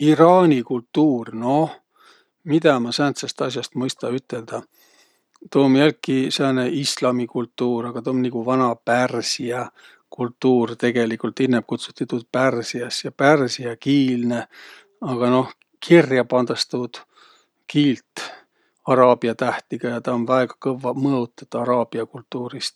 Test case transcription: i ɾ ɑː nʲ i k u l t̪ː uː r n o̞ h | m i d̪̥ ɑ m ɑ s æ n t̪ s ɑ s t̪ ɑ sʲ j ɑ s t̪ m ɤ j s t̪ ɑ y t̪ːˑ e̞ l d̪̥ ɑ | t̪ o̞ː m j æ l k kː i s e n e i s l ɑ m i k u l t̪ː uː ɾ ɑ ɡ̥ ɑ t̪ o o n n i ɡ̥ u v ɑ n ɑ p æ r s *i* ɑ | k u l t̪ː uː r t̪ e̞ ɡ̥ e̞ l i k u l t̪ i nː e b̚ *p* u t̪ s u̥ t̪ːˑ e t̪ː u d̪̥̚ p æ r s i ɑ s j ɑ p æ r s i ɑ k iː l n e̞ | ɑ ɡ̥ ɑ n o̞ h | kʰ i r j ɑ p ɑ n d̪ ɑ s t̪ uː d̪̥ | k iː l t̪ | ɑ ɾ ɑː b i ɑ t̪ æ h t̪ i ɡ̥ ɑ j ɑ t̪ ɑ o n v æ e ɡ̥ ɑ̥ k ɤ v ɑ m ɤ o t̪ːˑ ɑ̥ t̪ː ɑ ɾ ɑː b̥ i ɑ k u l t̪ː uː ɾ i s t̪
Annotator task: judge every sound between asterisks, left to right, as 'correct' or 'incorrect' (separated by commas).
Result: correct, incorrect